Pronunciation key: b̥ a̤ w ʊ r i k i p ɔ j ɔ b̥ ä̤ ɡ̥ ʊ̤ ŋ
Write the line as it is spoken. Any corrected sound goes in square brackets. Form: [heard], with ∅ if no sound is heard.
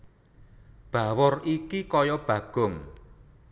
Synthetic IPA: b̥ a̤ w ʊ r i k i [k] ɔ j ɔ b̥ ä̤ ɡ̥ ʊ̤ ŋ